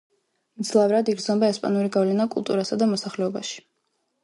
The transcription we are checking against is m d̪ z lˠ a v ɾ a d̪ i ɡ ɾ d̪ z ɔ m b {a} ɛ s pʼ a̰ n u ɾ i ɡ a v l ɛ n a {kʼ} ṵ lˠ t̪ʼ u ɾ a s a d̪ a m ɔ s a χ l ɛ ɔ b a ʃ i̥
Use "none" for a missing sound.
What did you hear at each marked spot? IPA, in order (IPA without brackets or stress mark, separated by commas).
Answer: a, kʼ